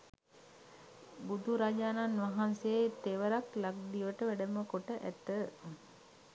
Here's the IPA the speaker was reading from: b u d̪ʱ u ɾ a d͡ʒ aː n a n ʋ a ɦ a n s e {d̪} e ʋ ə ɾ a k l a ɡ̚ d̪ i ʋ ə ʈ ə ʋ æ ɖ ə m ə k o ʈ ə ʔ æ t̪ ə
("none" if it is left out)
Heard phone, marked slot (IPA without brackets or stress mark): t̪